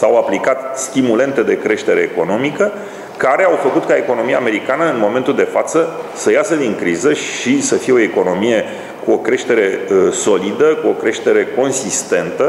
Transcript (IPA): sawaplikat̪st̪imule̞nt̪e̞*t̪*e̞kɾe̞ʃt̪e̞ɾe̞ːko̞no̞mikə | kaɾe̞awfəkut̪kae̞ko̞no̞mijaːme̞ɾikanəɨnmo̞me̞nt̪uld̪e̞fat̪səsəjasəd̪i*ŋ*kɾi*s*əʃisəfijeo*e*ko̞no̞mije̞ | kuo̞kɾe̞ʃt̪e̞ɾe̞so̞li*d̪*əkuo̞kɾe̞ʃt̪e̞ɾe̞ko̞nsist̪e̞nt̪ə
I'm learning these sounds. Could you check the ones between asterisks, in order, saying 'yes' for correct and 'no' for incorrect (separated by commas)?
no, yes, no, yes, yes